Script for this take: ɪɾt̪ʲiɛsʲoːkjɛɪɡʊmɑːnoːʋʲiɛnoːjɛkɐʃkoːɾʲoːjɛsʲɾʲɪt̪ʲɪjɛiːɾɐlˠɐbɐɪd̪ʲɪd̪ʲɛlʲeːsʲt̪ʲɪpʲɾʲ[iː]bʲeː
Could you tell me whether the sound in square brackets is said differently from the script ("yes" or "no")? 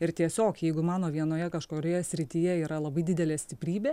no